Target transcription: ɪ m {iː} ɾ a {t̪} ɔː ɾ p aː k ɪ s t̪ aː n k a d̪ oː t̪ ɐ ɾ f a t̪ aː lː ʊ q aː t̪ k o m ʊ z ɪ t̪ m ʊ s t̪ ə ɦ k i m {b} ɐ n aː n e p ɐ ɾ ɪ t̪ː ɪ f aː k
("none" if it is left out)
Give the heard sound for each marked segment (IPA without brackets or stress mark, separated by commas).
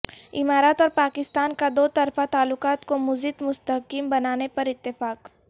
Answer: aː, t̪, b